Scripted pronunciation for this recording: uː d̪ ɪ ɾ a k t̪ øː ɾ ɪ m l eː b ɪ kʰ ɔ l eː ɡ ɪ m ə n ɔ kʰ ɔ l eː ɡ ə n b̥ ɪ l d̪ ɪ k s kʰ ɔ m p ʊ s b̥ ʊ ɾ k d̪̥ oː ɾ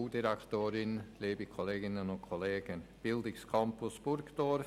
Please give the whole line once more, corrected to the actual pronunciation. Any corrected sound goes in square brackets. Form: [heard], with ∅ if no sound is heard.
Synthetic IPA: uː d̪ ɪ ɾ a k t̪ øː ɾ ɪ [n] l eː b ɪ kʰ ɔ l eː ɡ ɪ [n] ə n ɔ kʰ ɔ l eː ɡ ə n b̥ ɪ l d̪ ɪ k s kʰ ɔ m p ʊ s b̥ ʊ ɾ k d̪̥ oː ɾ